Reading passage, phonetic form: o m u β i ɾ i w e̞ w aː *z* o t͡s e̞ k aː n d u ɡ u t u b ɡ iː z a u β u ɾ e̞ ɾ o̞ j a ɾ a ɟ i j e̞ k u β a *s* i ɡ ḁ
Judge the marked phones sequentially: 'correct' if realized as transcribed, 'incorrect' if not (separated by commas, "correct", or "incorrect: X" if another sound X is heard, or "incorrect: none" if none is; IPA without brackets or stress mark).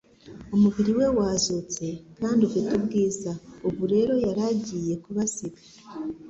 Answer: correct, correct